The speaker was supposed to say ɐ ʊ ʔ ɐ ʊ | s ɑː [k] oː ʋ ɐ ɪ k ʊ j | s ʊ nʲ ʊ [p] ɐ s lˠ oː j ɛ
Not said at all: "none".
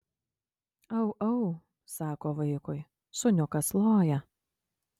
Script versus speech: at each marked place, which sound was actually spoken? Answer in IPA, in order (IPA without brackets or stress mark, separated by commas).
k, k